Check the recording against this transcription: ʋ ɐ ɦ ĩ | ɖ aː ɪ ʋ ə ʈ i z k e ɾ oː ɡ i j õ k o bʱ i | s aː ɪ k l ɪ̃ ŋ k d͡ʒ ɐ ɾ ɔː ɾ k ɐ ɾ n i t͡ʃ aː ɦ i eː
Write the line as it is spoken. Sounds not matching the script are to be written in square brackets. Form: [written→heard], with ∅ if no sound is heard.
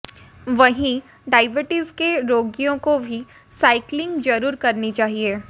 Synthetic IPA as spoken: ʋ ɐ ɦ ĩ | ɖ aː ɪ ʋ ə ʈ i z k e ɾ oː ɡ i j õ k o bʱ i | s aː ɪ k l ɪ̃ ŋ [k→ɡ] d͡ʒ ɐ ɾ [ɔː→uː] ɾ k ɐ ɾ n i t͡ʃ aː ɦ i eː